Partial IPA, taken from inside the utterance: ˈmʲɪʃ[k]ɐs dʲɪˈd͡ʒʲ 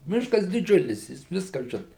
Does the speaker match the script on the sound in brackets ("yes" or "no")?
yes